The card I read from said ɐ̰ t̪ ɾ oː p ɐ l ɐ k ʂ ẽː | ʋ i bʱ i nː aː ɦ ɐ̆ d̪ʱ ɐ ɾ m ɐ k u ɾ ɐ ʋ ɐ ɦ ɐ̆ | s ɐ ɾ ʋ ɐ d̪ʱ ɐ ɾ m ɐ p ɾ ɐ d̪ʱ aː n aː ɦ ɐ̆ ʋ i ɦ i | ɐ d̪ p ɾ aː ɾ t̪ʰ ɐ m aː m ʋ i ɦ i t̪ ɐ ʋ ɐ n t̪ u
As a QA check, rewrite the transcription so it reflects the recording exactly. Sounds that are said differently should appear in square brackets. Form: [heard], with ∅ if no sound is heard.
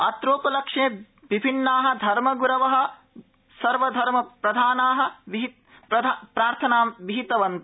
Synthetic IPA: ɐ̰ t̪ ɾ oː p ɐ l ɐ k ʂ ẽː | ʋ i bʱ i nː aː ɦ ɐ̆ d̪ʱ ɐ ɾ m ɐ [ɡ] u ɾ ɐ ʋ ɐ ɦ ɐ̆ | s ɐ ɾ ʋ ɐ d̪ʱ ɐ ɾ m ɐ p ɾ ɐ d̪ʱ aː n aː ɦ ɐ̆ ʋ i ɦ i | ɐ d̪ p ɾ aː ɾ t̪ʰ ɐ [n] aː m ʋ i ɦ i t̪ ɐ ʋ ɐ n t̪ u